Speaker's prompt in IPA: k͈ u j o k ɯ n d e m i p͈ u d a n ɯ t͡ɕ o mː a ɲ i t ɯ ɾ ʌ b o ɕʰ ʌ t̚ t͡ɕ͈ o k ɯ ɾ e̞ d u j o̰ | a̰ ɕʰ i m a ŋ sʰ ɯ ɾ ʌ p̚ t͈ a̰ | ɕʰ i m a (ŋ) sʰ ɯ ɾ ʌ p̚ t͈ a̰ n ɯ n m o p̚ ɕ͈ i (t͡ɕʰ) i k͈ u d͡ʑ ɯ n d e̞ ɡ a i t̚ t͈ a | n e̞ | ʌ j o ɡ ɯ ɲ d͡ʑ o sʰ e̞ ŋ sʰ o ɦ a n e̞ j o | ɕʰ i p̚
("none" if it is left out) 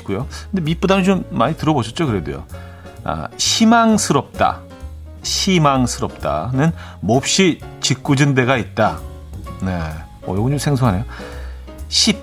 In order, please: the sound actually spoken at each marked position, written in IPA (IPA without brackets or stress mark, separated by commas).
ŋ, t͡ɕ